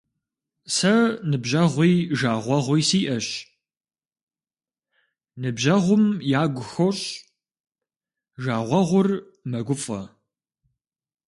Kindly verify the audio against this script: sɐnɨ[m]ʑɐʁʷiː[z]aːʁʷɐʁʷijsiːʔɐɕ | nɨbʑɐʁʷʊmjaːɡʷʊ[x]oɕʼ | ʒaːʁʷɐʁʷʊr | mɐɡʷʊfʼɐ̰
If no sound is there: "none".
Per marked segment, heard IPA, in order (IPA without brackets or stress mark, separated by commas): b, ʒ, x